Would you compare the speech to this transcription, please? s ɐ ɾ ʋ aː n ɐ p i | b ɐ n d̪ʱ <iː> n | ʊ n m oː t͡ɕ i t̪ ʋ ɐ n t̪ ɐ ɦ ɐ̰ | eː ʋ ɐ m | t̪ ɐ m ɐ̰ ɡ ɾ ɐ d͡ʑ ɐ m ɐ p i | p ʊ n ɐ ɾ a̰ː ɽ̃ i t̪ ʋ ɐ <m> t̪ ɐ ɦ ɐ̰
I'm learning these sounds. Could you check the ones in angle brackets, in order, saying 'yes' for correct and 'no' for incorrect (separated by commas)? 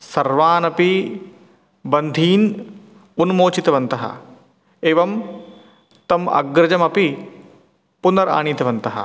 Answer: yes, no